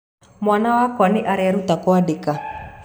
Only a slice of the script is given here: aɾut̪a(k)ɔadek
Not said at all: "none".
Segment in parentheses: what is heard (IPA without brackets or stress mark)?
k